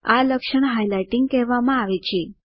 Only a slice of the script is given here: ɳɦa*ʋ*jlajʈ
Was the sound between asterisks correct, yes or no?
no